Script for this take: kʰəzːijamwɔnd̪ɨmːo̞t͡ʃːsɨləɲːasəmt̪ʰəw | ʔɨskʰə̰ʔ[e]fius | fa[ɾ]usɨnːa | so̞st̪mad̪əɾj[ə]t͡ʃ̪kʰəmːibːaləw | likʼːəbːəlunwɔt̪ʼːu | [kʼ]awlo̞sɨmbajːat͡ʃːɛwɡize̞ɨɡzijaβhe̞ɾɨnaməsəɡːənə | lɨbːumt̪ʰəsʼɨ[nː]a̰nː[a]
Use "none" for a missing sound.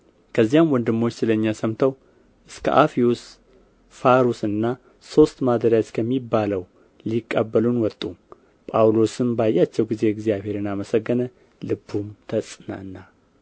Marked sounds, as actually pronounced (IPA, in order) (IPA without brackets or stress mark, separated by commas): a, ɾ, a, pʼ, n, a